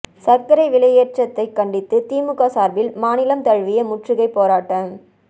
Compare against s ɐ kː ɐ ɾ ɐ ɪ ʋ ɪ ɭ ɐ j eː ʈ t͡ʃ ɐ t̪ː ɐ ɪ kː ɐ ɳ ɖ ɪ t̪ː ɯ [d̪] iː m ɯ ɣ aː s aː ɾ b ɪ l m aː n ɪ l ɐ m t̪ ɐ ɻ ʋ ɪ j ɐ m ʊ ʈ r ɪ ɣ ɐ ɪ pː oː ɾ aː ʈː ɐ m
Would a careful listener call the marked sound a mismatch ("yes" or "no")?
yes